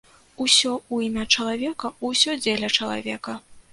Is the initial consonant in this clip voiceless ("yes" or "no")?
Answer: yes